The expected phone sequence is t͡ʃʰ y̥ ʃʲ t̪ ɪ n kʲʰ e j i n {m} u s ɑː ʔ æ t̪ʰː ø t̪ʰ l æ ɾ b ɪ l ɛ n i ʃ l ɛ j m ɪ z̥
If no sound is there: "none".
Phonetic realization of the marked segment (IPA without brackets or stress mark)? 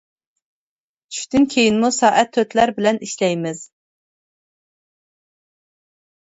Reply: m